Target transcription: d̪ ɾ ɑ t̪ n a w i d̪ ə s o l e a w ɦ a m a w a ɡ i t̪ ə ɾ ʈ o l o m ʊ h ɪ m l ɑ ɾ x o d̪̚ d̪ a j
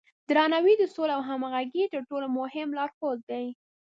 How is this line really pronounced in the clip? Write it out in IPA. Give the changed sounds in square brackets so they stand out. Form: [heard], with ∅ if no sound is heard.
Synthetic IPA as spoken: d̪ ɾ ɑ [∅] n a w i d̪ ə s o l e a w ɦ a m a [ɣ] a ɡ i t̪ ə ɾ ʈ o l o m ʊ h ɪ m l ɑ ɾ x o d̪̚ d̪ a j